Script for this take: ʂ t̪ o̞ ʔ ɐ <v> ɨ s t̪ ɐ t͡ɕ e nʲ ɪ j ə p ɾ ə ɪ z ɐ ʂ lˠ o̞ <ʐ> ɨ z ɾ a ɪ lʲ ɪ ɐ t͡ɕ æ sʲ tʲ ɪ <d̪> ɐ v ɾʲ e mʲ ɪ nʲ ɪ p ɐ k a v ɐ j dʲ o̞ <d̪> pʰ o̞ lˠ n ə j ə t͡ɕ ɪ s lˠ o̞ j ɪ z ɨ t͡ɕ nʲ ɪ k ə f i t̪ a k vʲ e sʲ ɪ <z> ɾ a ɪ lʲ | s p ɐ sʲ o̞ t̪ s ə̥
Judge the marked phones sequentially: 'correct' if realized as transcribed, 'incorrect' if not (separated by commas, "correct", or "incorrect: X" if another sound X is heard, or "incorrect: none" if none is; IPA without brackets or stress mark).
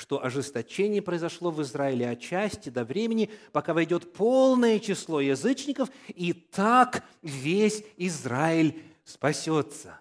incorrect: ʐ, incorrect: v, correct, incorrect: t̪, correct